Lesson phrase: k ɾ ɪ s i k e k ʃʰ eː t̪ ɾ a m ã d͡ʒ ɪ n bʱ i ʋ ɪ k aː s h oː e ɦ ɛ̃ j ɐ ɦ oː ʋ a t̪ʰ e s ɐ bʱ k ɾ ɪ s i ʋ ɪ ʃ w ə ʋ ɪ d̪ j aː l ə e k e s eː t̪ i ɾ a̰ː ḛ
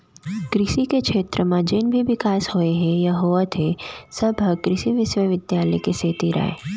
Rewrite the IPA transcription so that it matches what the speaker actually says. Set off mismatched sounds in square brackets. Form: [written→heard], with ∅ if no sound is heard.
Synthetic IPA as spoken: k ɾ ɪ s i k e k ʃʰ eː t̪ ɾ [a→ə] m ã d͡ʒ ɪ n bʱ i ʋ ɪ k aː s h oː e ɦ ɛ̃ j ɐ ɦ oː ʋ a t̪ʰ e s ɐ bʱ k ɾ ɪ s i ʋ ɪ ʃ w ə ʋ ɪ d̪ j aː l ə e k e s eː t̪ i ɾ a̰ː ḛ